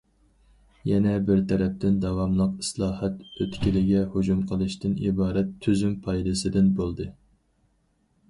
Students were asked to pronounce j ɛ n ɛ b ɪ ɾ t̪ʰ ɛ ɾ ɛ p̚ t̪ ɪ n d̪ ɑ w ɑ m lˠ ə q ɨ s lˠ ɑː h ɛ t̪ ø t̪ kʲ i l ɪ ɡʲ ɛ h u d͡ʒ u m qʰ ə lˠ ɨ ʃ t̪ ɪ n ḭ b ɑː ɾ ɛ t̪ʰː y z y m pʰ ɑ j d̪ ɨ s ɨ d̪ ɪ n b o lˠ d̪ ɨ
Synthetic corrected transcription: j ɛ n ɛ b ɪ ɾ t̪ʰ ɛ ɾ ɛ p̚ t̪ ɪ n d̪ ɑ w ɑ m lˠ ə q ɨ s lˠ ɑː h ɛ t̪ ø t̪ kʲ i l ɪ ɡʲ ɛ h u d͡ʒ u m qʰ ə lˠ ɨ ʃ t̪ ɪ n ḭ b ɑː ɾ ɛ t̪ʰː y z y m pʰ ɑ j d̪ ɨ s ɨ d̪ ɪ n b o lˠ d̪ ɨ

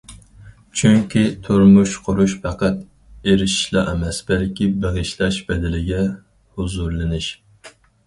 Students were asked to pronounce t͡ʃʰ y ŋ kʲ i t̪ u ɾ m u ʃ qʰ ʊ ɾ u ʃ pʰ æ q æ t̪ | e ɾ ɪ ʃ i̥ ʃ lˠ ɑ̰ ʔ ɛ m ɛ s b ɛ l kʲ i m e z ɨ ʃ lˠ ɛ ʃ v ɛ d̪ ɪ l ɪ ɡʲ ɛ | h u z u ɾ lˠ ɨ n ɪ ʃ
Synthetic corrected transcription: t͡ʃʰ y ŋ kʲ i t̪ʰ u ɾ m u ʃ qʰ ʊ ɾ u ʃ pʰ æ q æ t̪ | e ɾ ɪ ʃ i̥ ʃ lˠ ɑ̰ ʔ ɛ m ɛ s b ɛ l kʲ i b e ʁ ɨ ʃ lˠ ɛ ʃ b ɛ d̪ ɪ l ɪ ɡʲ ɛ | h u z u ɾ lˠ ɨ n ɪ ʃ

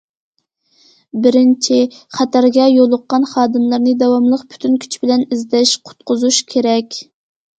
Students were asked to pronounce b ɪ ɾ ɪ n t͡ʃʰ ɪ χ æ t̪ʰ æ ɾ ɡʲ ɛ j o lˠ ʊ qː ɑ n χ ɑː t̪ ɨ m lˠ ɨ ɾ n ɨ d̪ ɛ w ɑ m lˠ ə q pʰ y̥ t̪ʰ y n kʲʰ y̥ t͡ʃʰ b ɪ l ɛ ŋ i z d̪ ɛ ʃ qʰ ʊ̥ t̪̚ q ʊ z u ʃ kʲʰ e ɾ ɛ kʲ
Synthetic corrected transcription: b ɪ ɾ ɪ n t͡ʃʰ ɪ χ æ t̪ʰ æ ɾ ɡʲ ɛ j o lˠ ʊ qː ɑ n χ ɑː d̪ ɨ m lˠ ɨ ɾ n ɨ d̪ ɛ w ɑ m lˠ ə q pʰ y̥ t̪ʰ y n kʲʰ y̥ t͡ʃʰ b ɪ l ɛ n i z d̪ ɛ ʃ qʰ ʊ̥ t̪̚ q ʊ z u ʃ kʲʰ e ɾ ɛ kʲ

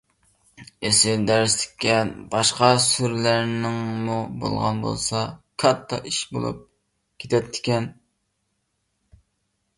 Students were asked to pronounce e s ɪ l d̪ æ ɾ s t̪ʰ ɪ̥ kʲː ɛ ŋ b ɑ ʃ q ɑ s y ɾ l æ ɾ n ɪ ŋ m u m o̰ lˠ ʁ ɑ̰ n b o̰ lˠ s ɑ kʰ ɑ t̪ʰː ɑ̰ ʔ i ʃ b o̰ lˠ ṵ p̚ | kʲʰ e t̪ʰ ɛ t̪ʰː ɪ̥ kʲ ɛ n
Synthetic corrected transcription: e s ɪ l d̪ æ ɾ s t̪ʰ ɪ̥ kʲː ɛ n b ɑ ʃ q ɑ s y ɾ l æ ɾ n ɪ ŋ m u b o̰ lˠ ʁ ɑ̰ n b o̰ lˠ s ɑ kʰ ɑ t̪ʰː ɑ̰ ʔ i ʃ b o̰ lˠ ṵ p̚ | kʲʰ e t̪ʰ ɛ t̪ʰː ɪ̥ kʲ ɛ n

